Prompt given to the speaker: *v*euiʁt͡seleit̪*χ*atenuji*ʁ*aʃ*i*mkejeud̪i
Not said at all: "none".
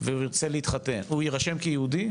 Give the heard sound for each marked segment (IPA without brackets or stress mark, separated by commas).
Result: v, χ, ʁ, e